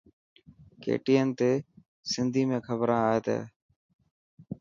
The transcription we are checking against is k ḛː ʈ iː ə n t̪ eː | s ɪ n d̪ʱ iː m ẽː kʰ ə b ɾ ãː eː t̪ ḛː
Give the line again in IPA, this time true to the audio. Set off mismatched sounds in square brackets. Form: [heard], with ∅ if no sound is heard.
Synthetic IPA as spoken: k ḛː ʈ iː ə n t̪ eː | s ɪ n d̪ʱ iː m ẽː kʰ ə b ɾ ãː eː t̪ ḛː